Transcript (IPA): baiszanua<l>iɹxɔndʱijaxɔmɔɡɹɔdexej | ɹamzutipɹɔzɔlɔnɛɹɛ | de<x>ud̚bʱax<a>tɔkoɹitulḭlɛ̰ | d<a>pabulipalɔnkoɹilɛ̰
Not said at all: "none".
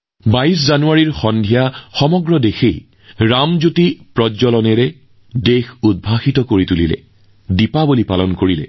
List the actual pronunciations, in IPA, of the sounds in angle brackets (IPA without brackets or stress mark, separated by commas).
ɹ, x, i, i